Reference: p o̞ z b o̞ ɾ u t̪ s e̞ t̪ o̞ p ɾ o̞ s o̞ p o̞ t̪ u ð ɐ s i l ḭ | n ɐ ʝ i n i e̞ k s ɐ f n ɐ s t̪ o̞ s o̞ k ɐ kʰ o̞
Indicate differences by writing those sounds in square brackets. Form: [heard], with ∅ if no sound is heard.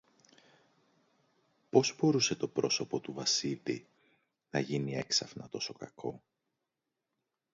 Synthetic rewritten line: p o̞ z b o̞ ɾ u [∅] s e̞ t̪ o̞ p ɾ o̞ s o̞ p o̞ t̪ u [v] ɐ s i l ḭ | n ɐ ʝ i n i e̞ k s ɐ f n ɐ [∅] t̪ o̞ s o̞ k ɐ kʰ o̞